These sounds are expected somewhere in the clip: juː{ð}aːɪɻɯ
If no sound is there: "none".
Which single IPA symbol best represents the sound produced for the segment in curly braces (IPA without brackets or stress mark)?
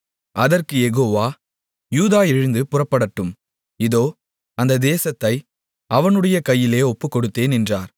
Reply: ð